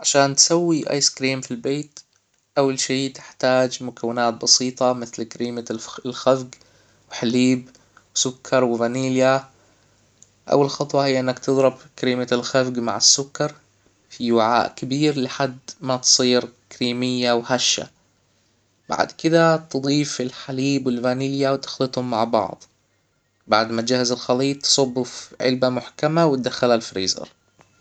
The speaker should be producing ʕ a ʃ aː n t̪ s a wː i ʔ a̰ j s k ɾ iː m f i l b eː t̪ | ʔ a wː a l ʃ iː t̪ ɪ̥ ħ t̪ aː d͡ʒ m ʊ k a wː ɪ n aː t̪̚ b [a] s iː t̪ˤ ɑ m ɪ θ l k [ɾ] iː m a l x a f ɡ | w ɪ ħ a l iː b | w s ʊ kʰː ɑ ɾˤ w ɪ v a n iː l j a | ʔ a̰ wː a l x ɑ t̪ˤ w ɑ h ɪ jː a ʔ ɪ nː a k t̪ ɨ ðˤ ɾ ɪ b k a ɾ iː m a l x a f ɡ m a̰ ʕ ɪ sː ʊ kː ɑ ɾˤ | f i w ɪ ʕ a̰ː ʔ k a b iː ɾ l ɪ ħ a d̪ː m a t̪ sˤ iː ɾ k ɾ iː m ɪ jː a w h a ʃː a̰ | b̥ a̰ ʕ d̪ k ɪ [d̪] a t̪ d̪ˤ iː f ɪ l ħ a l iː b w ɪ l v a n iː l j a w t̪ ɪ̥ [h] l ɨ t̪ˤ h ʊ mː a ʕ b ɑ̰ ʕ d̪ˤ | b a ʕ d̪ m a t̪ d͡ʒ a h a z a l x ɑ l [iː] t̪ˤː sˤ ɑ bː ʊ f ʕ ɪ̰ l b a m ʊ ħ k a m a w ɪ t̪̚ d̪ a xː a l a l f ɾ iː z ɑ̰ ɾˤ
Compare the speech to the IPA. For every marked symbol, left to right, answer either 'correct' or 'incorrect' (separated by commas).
incorrect, correct, correct, incorrect, correct